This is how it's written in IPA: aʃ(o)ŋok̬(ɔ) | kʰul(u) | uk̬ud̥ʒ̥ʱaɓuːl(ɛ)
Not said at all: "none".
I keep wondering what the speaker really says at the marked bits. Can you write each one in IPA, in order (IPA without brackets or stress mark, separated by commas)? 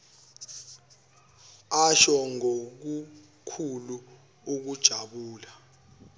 ɔ, u, u, a